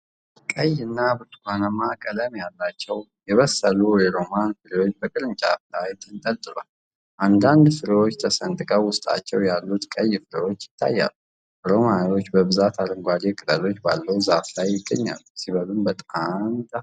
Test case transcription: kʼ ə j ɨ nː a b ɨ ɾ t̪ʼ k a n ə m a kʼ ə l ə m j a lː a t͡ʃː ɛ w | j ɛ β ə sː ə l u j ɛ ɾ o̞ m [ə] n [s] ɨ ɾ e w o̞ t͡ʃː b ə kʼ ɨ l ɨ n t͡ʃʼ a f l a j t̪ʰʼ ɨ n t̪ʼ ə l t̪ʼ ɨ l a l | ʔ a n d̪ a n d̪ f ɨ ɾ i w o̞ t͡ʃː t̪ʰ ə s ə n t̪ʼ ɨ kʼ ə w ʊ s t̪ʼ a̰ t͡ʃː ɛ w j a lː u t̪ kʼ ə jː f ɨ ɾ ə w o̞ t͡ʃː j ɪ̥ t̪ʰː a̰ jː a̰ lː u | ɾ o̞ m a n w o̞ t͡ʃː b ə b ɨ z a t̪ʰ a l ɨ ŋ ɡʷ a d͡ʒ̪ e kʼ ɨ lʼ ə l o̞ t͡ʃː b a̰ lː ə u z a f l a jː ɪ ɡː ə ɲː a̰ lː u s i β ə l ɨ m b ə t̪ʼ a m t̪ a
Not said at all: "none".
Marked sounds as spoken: a, f

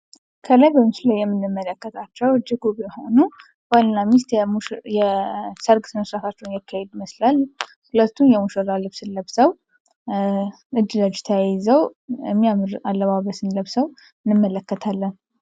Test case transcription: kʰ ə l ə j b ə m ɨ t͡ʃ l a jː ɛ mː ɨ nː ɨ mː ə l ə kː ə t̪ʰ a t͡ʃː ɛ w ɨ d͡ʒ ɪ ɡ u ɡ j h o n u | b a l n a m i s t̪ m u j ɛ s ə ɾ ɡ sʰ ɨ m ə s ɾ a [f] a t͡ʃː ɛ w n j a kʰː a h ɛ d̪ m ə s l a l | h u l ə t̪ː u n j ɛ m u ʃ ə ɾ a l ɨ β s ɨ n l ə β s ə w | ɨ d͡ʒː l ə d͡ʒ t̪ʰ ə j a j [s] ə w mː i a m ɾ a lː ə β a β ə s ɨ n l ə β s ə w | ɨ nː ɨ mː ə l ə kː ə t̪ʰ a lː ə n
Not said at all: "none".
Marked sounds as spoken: f, z

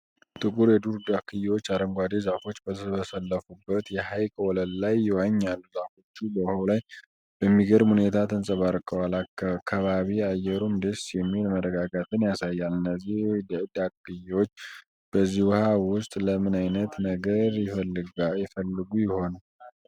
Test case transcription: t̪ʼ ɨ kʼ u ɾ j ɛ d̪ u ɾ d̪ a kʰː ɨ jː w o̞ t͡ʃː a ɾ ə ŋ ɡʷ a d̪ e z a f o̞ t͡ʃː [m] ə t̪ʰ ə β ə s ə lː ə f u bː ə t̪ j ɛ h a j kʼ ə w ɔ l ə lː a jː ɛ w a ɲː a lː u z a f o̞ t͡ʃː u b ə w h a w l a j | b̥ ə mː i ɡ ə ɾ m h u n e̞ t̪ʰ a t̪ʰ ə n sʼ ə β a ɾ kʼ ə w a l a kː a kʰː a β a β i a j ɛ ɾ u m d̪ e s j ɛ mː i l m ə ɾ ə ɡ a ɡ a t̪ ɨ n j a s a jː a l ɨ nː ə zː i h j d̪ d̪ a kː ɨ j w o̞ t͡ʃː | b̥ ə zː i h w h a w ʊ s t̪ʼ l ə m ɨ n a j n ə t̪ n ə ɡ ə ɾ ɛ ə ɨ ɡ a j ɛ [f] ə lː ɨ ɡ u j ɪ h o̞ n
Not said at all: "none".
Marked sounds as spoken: b, f

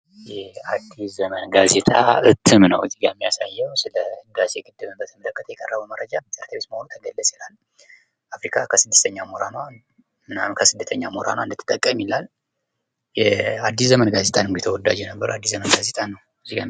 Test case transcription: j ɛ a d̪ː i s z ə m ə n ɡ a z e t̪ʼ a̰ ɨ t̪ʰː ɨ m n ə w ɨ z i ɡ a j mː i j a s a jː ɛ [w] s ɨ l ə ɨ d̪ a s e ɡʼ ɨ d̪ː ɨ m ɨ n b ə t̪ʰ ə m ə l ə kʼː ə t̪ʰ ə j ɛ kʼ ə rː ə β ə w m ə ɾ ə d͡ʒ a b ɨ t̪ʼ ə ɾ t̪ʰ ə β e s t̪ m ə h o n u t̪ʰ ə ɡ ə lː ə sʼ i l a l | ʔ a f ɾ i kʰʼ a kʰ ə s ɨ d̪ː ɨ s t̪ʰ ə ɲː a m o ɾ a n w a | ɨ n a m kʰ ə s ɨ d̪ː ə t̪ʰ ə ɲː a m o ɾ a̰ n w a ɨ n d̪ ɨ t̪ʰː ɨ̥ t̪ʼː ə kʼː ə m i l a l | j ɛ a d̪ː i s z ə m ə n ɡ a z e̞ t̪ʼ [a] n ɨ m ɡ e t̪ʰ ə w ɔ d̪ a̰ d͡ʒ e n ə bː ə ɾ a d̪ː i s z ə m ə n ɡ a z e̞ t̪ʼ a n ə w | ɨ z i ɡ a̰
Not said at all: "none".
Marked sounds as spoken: w, a

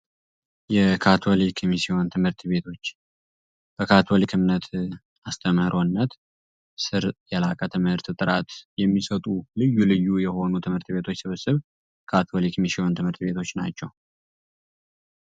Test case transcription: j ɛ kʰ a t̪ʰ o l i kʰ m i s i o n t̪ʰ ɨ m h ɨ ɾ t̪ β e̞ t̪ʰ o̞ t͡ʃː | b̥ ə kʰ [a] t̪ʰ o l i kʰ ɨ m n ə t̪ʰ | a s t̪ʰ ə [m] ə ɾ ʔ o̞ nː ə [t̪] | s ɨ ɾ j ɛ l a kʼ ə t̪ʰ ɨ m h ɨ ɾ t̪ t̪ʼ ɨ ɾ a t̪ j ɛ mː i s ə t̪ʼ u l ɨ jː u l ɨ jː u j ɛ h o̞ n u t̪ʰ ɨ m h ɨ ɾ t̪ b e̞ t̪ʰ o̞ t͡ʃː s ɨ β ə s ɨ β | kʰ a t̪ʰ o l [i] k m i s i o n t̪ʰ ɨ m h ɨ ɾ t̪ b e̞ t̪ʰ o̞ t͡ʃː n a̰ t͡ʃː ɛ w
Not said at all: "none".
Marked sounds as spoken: a, m, t̪, i

